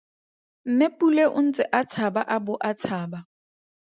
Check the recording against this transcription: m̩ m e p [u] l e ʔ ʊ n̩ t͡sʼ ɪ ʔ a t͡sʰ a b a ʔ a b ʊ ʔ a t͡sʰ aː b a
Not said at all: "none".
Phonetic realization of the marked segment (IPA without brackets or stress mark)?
u